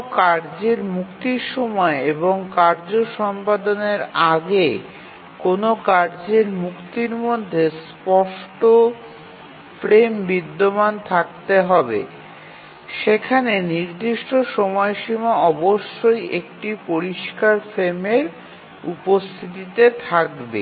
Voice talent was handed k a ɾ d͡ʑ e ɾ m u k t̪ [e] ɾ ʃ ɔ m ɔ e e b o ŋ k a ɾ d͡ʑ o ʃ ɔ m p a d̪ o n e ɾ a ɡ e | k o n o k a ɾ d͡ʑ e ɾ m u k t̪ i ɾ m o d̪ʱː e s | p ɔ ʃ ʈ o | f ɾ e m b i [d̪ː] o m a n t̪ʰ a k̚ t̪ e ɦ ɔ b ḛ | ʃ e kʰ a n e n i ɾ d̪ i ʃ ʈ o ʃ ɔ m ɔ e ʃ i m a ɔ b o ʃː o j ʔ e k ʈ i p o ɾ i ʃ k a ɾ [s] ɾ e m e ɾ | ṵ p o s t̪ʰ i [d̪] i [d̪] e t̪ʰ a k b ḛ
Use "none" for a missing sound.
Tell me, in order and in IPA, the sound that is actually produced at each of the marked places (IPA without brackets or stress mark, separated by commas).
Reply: i, d̪ː, f, t̪, t̪